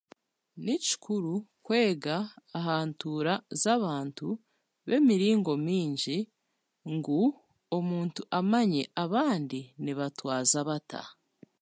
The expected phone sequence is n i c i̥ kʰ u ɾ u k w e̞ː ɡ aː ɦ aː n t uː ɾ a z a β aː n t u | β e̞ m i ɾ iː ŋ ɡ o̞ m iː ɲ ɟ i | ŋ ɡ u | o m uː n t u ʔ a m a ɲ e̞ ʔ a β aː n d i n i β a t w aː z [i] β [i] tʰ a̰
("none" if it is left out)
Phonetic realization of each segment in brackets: a, a

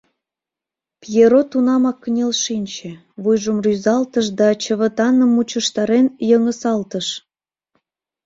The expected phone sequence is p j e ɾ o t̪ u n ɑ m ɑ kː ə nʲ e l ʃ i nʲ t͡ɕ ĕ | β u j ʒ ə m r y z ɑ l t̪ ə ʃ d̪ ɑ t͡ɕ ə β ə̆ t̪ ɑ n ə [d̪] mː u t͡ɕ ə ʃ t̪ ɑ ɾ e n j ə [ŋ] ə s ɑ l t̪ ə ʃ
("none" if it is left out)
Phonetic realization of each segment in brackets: none, ŋ

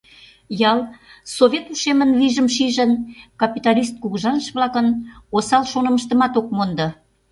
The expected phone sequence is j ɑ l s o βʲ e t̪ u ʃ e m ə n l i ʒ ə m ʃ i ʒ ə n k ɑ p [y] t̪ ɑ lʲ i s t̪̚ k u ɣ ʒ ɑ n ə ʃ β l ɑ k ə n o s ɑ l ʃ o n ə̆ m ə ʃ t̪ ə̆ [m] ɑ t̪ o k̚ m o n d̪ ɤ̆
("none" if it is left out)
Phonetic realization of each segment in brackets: i, m

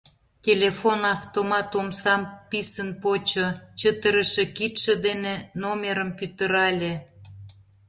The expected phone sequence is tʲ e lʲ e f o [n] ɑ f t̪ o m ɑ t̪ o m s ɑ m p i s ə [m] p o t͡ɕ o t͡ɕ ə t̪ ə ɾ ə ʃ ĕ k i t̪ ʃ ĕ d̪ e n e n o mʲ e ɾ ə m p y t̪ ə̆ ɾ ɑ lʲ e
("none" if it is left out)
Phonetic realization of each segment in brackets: n, n

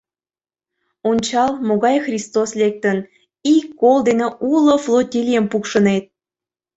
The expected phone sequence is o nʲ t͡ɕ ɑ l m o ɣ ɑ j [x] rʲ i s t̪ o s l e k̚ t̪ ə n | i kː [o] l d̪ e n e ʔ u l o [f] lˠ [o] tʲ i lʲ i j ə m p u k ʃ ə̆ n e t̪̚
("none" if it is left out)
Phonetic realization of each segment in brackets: x, o, f, o

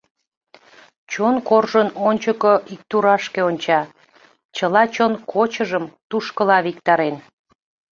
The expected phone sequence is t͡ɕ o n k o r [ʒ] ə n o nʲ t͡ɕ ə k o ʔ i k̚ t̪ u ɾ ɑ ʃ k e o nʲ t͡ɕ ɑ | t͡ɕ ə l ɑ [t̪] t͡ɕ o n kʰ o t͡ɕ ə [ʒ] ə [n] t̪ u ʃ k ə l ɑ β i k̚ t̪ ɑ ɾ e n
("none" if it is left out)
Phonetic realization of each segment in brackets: ʒ, none, ʒ, m

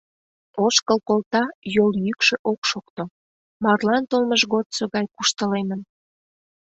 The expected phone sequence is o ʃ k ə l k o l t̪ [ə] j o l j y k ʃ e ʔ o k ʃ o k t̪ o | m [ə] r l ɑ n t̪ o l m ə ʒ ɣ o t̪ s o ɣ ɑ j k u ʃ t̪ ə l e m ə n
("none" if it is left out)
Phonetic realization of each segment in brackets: ɑ, ɑ

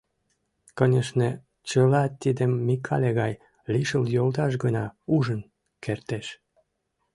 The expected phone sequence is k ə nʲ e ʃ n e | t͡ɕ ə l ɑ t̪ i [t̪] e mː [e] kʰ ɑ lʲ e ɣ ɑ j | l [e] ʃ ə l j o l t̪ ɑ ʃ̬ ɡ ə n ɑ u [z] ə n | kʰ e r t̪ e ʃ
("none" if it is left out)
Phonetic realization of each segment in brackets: d̪, i, i, ʒ

